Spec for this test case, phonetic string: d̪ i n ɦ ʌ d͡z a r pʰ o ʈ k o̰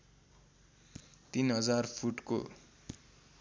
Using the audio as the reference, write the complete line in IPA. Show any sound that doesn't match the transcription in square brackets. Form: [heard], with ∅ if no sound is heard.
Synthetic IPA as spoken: [t̪] i n ɦ ʌ d͡z a r pʰ [u] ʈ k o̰

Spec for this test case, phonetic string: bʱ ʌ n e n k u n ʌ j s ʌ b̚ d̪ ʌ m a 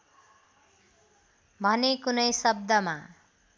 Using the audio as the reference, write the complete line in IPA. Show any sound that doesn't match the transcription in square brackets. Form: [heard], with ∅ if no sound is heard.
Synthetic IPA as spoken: bʱ ʌ n e [∅] k u n ʌ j s ʌ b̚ d̪ ʌ m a

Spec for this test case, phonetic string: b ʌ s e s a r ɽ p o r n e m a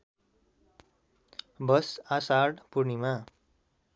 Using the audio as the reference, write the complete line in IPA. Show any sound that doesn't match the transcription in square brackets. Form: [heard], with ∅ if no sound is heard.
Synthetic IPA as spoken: b ʌ s [a] s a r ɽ p [u] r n [i] m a

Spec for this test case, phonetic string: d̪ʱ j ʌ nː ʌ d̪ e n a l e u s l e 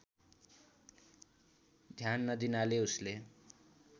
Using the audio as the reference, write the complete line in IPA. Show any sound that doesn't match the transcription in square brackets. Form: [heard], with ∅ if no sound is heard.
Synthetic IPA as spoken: d̪ʱ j [a] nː ʌ d̪ [i] n a l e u s l e

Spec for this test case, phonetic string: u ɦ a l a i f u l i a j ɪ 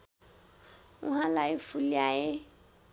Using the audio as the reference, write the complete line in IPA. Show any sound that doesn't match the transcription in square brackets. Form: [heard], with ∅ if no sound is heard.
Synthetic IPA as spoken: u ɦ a l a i f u l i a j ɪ

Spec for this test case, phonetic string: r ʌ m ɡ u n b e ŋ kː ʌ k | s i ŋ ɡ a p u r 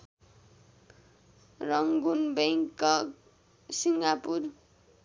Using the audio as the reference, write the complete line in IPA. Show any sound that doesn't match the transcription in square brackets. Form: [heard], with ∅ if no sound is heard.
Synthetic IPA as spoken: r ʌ [ŋ] ɡ u n b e ŋ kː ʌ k | s i ŋ ɡ a p u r

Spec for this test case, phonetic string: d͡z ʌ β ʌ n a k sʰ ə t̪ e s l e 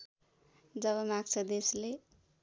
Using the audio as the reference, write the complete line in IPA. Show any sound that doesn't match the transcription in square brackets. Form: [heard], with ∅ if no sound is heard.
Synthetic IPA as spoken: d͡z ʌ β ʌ [m] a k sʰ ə [d̪] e s l e

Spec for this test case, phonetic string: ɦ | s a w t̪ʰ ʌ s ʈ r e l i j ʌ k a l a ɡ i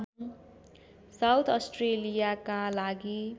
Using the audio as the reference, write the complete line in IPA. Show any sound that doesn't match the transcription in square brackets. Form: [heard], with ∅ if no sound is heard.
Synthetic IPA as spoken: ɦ | s a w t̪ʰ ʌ s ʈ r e l i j [a] k a l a ɡ i

